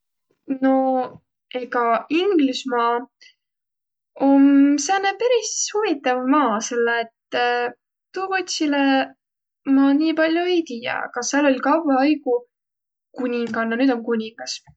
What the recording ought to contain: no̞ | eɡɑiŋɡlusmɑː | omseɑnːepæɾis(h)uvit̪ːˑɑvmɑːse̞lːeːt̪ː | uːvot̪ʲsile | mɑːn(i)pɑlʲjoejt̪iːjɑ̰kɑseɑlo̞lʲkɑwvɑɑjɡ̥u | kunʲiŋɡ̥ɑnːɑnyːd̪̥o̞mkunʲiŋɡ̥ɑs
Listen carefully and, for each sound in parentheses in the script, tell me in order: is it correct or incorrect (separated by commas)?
correct, incorrect